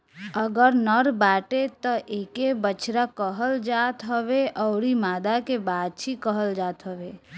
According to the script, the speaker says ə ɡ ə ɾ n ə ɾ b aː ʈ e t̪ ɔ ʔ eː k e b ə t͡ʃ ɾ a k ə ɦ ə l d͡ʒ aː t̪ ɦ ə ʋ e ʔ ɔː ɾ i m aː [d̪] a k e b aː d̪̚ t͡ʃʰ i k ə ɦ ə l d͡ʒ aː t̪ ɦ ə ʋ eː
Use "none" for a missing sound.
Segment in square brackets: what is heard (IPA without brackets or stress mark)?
d̪